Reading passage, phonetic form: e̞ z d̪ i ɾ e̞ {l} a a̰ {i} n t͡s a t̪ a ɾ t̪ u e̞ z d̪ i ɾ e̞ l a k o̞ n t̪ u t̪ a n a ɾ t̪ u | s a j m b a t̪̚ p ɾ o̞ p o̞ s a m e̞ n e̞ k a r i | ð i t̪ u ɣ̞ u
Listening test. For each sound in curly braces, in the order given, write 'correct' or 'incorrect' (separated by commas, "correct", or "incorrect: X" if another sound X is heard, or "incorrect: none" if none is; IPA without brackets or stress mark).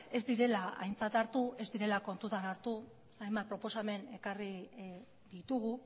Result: correct, incorrect: j